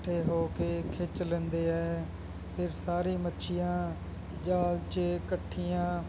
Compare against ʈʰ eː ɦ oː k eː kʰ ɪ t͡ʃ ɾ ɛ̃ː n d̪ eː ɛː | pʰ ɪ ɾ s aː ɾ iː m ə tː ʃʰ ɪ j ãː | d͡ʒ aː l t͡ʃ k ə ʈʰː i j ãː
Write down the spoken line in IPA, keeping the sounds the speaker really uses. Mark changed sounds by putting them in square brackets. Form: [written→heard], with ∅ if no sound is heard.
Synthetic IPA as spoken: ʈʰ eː ɦ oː k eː kʰ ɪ t͡ʃ [ɾ→l] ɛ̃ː n d̪ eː ɛː | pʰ ɪ ɾ s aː ɾ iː m ə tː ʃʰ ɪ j ãː | d͡ʒ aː l t͡ʃ k ə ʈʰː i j ãː